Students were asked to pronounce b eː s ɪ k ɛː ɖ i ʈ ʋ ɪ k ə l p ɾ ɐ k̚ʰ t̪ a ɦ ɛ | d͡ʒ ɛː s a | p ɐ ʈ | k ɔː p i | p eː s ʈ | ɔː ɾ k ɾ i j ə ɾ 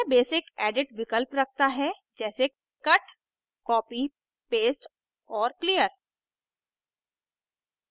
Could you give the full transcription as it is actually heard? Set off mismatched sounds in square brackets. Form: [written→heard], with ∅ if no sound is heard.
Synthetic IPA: b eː s ɪ k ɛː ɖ [i→ɪ] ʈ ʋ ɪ k ə l p ɾ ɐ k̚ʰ t̪ a ɦ ɛ | d͡ʒ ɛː s [a→e] | [p→k] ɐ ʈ | k ɔː p i | p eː s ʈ | ɔː ɾ k [ɾ→l] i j ə ɾ